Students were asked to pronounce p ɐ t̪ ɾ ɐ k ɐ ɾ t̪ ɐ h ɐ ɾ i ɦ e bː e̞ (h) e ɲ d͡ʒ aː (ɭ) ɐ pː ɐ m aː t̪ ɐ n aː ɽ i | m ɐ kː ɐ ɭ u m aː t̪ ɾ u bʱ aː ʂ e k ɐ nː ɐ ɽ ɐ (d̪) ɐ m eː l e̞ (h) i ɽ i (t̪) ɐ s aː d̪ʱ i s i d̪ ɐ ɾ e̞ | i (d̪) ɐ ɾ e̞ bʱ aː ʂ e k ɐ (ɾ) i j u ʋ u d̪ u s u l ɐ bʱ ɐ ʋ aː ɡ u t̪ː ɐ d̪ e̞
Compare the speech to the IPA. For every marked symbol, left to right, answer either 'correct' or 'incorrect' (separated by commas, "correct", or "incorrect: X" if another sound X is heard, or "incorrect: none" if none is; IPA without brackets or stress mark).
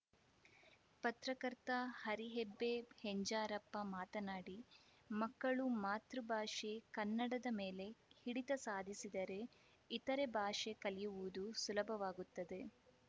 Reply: correct, incorrect: ɾ, correct, correct, correct, incorrect: t̪, incorrect: l